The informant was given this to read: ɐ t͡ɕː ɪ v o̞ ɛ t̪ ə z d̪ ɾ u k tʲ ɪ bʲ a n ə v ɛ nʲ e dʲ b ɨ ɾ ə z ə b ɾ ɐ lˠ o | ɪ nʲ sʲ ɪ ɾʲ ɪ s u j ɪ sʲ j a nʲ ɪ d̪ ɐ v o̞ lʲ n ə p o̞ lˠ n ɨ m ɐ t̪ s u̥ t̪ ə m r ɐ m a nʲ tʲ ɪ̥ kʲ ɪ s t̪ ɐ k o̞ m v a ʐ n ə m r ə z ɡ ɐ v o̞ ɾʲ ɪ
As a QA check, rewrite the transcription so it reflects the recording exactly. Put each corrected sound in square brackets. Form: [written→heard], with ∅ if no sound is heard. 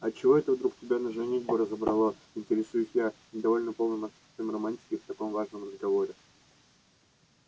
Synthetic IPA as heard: ɐ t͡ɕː ɪ v o̞ ɛ t̪ ə [z→v] d̪ ɾ u k tʲ ɪ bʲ a n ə [v→ʐ] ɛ nʲ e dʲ b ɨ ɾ ə z ə b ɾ ɐ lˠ o | ɪ nʲ [sʲ→tʲ] ɪ ɾʲ ɪ s u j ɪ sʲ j a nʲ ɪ d̪ ɐ v o̞ lʲ n ə p o̞ lˠ n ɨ m ɐ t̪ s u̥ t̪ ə m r ɐ m a nʲ tʲ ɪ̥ kʲ ɪ [s→f] t̪ ɐ k o̞ m v a ʐ n ə m r ə z ɡ ɐ v o̞ ɾʲ ɪ